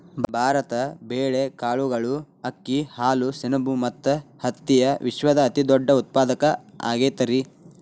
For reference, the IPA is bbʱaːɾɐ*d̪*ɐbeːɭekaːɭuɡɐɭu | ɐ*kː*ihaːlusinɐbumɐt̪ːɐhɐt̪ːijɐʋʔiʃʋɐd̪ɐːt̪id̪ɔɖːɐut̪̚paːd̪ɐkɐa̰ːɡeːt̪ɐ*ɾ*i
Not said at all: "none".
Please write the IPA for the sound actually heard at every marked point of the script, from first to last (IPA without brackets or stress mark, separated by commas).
t̪, kː, ɾ